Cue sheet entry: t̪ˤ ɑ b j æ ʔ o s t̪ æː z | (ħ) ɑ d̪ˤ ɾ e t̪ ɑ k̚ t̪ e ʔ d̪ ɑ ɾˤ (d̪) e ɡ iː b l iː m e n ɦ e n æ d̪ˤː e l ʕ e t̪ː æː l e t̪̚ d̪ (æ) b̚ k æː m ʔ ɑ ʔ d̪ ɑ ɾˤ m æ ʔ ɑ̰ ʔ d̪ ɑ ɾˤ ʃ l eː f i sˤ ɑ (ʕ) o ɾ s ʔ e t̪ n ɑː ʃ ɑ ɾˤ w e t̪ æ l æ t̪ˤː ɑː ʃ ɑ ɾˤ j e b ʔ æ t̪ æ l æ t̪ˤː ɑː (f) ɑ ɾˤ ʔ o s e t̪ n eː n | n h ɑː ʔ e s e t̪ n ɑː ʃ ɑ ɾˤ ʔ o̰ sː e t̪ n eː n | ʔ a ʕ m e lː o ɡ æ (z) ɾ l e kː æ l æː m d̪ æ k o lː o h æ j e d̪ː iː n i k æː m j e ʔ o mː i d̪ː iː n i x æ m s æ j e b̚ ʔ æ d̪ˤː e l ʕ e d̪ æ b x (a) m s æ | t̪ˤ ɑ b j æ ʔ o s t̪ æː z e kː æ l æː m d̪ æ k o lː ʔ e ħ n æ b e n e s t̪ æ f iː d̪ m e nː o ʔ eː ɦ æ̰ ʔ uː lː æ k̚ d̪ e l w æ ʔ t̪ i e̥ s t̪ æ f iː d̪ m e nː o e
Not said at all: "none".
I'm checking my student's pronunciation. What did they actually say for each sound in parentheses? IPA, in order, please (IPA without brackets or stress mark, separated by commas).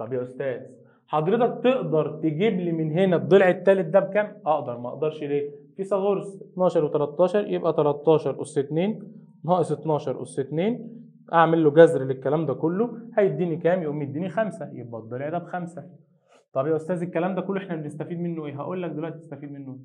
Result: ħ, t̪, æ, ɣ, ʃ, z, æ